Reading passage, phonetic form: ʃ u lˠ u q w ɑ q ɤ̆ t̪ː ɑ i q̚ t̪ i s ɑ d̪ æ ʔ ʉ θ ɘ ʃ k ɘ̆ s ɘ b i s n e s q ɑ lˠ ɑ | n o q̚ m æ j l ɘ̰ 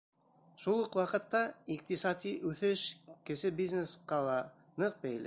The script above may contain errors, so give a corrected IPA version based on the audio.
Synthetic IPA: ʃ u lˠ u q w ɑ q ɤ̆ t̪ː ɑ i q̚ t̪ i s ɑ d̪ i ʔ ʉ θ ɘ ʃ k ɘ̆ s ɘ b i z n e s q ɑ lˠ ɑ | n ɤ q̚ b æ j l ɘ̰